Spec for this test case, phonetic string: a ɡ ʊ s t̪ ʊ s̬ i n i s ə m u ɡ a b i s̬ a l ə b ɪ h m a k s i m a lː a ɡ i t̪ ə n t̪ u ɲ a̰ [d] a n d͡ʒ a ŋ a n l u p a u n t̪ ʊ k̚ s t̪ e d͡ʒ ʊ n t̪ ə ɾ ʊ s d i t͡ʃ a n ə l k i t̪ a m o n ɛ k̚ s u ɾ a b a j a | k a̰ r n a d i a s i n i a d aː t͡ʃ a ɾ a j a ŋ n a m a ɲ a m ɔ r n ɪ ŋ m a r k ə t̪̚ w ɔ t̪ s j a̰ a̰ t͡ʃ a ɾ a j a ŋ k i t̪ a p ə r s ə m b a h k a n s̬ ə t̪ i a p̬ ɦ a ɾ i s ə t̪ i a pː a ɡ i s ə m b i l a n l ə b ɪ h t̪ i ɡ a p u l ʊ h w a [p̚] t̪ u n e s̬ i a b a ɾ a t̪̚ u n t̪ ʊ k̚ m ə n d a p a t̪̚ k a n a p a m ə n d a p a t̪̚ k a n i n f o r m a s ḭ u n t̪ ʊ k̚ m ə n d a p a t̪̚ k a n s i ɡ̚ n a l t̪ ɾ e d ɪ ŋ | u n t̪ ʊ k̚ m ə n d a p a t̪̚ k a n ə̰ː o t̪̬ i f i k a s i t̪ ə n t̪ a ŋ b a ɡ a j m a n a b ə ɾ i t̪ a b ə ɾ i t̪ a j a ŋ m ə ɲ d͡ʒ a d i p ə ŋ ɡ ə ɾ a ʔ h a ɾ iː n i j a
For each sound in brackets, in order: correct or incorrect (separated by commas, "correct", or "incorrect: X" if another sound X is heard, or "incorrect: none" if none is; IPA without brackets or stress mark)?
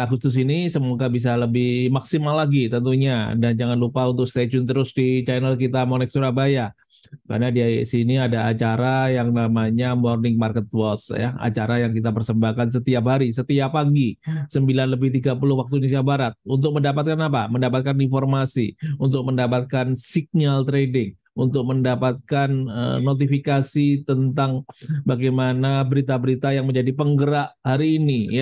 correct, incorrect: k̚